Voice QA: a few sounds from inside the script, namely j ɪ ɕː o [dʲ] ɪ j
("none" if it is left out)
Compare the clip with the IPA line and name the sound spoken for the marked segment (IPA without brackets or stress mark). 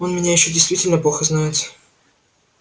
dʲ